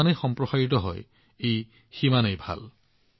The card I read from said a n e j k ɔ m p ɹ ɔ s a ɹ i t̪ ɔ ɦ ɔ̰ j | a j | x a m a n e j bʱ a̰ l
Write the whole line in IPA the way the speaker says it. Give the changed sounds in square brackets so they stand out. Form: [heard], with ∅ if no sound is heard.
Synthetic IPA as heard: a n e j [x] ɔ m p ɹ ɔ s a ɹ i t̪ ɔ ɦ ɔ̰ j | [e] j | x [i] m a n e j bʱ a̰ l